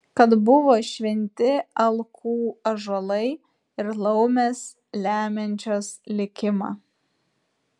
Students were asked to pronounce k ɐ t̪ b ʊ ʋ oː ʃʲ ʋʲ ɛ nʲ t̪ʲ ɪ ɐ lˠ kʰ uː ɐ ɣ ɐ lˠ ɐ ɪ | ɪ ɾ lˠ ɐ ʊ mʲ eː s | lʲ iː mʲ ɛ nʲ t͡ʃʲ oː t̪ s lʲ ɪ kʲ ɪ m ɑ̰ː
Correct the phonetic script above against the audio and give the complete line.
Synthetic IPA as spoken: k ɐ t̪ b ʊ ʋ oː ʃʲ ʋʲ ɛ nʲ t̪ʲ ɪ ɐ lˠ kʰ uː ɐ ʒ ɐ lˠ ɐ ɪ | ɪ ɾ lˠ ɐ ʊ mʲ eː s | lʲ æː mʲ ɛ nʲ t͡ʃʲ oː s lʲ ɪ kʲ ɪ m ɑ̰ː